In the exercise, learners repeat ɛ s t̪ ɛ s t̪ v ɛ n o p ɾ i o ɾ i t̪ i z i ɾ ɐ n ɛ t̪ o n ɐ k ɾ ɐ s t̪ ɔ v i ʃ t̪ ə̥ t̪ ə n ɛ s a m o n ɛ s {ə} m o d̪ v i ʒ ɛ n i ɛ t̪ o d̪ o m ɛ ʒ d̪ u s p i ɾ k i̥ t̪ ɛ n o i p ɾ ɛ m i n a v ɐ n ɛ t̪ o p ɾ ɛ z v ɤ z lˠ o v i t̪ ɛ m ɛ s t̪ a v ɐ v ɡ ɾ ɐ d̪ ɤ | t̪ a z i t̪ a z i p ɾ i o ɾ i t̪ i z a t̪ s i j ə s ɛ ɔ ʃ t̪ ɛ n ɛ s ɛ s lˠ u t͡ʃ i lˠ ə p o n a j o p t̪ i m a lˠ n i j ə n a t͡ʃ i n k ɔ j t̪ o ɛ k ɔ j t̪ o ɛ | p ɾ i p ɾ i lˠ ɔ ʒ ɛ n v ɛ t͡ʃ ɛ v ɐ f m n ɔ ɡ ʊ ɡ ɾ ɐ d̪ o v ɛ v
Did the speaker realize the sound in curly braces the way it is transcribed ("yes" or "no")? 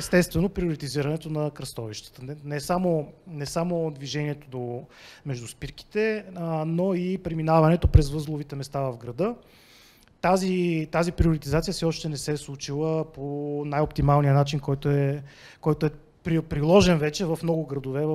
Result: no